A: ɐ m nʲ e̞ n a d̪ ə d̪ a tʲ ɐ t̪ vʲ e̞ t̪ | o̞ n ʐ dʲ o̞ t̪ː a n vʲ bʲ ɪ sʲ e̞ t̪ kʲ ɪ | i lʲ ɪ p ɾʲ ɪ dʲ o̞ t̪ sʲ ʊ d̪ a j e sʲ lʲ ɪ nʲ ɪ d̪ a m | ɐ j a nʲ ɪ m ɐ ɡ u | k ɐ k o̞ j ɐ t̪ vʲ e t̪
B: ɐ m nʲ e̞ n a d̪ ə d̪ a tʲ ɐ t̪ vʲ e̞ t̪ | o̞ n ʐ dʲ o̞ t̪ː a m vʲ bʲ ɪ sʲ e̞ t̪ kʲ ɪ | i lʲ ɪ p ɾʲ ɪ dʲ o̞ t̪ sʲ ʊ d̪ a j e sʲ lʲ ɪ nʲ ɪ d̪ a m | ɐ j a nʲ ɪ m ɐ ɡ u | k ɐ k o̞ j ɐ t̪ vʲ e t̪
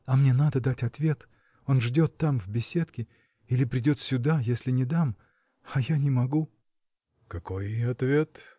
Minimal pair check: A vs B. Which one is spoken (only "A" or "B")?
B